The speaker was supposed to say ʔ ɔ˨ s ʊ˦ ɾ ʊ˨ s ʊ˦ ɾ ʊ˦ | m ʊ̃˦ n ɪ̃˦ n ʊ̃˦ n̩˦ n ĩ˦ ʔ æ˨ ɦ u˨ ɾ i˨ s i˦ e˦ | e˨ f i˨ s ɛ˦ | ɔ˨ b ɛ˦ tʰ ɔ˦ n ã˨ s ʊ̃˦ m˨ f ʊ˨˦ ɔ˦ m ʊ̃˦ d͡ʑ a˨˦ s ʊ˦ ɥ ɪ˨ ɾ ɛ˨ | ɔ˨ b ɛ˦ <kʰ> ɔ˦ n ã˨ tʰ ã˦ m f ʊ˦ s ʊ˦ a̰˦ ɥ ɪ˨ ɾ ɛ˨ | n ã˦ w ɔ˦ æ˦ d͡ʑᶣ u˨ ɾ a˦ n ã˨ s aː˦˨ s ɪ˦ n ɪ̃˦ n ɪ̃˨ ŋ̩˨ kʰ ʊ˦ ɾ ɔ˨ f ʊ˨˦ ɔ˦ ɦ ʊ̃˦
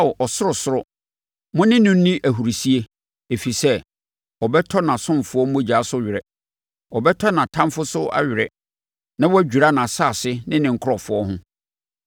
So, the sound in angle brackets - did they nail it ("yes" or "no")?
no